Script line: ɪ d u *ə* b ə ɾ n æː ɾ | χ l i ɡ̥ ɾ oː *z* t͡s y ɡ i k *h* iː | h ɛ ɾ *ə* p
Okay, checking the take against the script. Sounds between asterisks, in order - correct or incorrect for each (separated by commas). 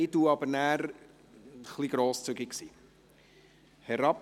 incorrect, incorrect, incorrect, incorrect